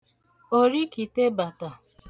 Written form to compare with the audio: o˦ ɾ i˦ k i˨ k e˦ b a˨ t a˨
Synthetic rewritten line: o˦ ɾ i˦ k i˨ t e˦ b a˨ t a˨